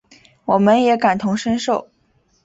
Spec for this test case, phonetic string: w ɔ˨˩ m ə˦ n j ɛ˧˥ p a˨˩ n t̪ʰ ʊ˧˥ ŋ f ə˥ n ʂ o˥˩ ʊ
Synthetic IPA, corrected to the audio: w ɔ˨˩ m ə˦ n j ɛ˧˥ k a˨˩ n t̪ʰ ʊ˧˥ ŋ ʂ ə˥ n ʂ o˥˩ ʊ